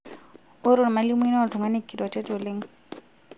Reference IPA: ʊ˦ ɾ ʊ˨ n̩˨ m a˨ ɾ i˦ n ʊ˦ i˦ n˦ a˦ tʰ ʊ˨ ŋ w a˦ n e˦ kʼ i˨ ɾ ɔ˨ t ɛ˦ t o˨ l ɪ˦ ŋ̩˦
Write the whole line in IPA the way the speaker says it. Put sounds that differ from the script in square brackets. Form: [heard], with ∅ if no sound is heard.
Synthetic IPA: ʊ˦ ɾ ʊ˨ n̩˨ m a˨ [l] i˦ [m] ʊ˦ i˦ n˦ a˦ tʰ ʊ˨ ŋ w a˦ n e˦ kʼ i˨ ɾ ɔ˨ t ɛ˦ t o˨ l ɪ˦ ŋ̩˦